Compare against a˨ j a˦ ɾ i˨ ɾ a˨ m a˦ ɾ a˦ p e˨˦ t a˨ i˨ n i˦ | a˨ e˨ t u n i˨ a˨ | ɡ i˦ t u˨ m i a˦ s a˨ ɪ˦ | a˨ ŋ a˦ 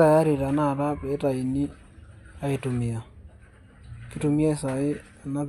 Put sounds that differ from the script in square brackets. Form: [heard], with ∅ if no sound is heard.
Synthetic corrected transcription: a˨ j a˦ ɾ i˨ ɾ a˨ [n] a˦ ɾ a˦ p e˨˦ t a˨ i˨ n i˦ | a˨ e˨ t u [m] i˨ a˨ | [k] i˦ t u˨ m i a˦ s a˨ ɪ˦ | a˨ [n] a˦